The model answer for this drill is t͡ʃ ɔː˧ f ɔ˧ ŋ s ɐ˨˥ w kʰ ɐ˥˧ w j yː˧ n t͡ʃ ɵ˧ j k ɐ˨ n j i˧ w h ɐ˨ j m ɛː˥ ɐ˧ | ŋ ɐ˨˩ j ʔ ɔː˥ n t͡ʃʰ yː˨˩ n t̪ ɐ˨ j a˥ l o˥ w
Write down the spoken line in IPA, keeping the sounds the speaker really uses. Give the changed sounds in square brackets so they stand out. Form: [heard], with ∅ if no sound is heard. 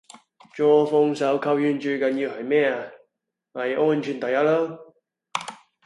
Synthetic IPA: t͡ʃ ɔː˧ f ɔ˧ ŋ s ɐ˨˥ w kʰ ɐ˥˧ w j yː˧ n t͡ʃ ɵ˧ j k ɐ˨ n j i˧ w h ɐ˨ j m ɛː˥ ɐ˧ | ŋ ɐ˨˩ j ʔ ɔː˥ n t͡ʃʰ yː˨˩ n t̪ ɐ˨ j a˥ l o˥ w